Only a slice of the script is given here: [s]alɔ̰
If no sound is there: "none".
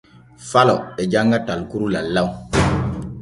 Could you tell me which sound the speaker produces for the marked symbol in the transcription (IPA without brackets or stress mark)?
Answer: f